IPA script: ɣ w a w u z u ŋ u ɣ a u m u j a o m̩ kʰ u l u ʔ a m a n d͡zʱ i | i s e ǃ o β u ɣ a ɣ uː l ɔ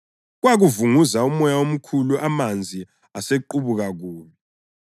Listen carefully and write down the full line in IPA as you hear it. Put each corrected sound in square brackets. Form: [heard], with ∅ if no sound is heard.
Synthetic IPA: ɣ w a [ɣ] u [v] u ŋ u [z] a u m [ɔ] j a o m̩ kʰ u l u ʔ a m a n d͡zʱ i | [a] s e ǃ [u] β u ɣ a ɣ uː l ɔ